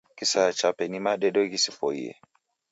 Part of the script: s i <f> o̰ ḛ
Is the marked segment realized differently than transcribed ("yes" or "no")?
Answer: no